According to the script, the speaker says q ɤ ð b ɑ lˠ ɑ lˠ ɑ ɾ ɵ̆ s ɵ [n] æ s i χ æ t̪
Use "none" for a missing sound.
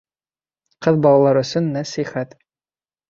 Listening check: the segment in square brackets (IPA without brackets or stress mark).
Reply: nː